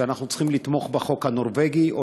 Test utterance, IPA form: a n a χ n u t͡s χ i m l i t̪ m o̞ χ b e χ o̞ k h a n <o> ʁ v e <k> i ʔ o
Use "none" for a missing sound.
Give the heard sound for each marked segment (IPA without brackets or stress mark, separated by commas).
o, ɡ